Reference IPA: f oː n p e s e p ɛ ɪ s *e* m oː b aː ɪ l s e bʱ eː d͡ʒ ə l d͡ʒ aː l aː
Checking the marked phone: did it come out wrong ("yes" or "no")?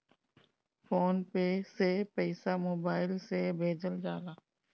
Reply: yes